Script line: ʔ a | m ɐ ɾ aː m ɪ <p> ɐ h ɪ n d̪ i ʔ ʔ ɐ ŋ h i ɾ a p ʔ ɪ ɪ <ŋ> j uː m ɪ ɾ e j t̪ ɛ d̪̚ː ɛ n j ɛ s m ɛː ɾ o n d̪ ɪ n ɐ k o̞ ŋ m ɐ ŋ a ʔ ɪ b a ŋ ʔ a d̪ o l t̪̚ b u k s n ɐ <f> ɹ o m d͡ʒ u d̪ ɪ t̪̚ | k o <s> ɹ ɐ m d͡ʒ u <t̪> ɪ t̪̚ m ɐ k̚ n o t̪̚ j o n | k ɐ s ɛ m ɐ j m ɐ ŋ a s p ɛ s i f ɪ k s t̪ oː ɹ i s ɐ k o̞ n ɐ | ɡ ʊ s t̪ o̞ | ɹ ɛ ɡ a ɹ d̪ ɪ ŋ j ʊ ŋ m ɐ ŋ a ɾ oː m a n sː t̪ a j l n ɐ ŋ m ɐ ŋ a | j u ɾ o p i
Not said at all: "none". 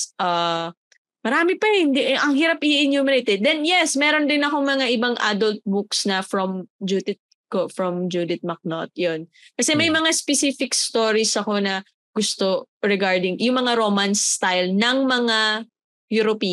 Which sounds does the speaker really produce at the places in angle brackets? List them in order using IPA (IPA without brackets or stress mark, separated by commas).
p, n, f, f, d̪